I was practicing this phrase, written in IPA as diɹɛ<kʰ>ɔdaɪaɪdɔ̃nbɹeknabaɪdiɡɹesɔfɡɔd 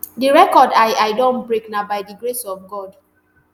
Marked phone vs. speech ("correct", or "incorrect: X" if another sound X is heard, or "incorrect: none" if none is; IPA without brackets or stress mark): incorrect: k